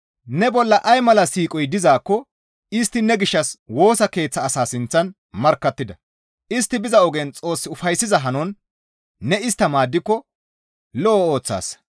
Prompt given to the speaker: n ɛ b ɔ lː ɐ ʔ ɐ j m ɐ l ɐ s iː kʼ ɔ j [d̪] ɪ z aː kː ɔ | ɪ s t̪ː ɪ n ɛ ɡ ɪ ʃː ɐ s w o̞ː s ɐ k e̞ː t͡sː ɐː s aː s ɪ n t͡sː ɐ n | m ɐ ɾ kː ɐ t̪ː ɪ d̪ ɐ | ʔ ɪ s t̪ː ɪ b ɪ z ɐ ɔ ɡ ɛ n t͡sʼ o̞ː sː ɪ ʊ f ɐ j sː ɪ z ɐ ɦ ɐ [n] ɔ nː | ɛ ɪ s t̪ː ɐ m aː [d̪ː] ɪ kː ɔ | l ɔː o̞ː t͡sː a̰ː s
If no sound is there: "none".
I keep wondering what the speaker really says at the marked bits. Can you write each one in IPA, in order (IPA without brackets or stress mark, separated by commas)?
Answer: d̪, n, d̪ː